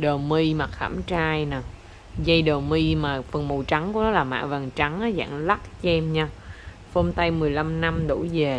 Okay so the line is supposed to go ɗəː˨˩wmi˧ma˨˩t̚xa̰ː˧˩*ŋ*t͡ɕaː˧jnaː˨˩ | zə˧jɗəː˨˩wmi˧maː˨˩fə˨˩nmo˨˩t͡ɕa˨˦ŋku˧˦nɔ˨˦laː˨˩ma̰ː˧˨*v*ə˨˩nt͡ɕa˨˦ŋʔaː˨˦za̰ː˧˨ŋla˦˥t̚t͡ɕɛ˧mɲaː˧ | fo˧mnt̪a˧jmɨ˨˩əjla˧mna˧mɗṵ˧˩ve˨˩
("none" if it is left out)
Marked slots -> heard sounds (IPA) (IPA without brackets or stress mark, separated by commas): m, v